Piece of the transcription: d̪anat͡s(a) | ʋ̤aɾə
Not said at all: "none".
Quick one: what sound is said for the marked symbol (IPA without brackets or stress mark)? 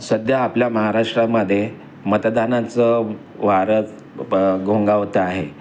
ə